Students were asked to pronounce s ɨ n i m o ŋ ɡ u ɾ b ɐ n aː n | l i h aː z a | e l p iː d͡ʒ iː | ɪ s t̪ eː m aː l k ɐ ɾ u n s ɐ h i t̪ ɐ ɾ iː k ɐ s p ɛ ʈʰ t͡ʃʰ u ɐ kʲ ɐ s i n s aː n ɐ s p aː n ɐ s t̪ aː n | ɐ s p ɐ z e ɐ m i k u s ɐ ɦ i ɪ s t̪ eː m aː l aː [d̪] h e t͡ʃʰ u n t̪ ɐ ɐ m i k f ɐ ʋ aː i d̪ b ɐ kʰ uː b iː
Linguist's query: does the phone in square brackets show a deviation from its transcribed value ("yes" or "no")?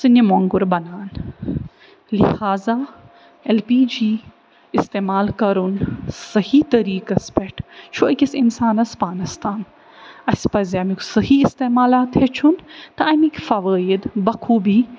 yes